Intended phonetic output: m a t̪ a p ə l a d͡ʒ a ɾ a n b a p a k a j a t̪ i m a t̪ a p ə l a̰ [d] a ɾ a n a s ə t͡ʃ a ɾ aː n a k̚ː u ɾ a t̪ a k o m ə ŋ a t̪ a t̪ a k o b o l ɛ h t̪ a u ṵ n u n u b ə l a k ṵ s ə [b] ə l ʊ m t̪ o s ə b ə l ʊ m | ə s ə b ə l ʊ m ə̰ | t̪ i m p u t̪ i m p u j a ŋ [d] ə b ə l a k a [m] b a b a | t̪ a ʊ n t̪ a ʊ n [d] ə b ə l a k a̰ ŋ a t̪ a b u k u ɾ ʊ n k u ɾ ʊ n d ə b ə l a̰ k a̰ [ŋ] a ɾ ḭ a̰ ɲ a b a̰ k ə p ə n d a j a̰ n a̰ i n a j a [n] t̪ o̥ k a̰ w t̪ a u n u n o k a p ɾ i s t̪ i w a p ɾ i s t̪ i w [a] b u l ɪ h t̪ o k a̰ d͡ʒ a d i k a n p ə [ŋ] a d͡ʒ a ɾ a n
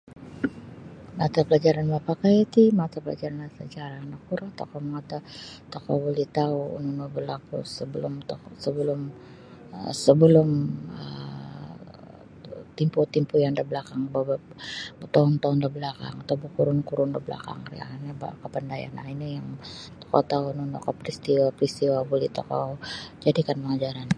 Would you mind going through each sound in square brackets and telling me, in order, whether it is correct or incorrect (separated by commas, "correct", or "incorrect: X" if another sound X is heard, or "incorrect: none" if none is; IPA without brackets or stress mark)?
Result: incorrect: d͡ʒ, correct, correct, incorrect: ŋ, correct, correct, incorrect: ŋ, correct, correct